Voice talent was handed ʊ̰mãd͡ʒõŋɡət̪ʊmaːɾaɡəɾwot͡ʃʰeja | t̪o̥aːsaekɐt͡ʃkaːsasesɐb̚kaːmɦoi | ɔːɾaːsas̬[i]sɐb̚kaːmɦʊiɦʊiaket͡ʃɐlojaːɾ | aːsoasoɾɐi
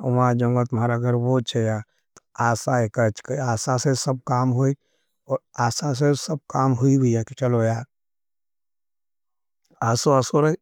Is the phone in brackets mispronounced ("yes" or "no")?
yes